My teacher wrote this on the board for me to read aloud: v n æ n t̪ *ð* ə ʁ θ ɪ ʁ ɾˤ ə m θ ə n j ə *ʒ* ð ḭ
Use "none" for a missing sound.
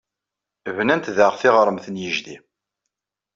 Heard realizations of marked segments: ð, ʒ

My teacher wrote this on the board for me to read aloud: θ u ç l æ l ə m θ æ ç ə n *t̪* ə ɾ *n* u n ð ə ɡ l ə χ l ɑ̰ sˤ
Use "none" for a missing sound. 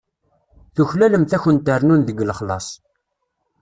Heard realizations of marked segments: t̪, n

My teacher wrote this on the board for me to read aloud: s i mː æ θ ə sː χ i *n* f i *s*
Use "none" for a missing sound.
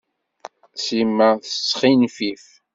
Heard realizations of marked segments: n, f

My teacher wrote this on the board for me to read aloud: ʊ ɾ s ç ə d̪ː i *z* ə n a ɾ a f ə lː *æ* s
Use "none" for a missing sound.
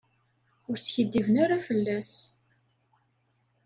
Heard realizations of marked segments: v, æ

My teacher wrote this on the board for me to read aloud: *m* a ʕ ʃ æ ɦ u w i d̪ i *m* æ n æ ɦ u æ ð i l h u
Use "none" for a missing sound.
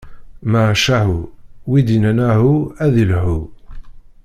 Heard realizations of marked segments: m, n

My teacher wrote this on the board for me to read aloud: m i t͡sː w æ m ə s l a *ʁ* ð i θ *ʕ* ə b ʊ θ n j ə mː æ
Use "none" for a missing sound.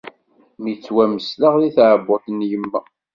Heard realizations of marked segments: ʁ, ʕ

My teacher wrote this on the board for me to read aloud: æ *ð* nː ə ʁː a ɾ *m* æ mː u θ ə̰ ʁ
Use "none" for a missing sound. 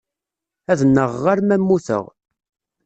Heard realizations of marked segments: ð, m

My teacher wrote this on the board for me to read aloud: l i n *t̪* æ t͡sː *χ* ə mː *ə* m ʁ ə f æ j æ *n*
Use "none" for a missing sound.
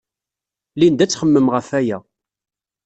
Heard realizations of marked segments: d̪, χ, ə, none

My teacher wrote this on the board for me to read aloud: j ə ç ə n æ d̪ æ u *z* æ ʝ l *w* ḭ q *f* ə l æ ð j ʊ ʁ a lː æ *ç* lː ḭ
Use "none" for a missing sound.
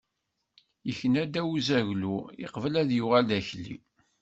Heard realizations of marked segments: z, u, v, ç

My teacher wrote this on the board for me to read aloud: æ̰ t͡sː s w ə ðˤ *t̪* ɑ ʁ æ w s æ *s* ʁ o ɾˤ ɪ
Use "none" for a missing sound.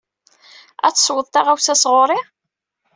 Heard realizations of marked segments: t̪, s

